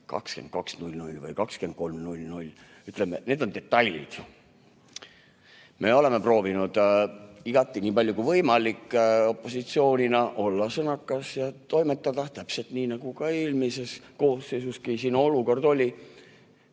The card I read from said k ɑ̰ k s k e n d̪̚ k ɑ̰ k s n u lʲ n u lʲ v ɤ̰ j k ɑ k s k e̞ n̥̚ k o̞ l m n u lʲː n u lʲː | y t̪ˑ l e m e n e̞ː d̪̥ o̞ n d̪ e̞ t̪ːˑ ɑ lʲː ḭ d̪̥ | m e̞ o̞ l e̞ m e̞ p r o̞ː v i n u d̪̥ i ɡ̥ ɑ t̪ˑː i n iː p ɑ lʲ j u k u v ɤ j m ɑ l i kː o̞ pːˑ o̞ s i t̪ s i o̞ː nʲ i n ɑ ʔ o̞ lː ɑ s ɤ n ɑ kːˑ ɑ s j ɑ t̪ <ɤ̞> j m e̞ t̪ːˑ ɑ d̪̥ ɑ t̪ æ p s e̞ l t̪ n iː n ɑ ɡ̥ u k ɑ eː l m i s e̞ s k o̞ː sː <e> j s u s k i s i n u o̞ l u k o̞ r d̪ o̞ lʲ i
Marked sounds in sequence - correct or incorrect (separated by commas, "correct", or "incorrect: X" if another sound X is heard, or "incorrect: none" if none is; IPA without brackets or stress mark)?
incorrect: o̞, correct